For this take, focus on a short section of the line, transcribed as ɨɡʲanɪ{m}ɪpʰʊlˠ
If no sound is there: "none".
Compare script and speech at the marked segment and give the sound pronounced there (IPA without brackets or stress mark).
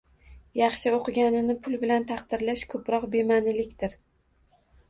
n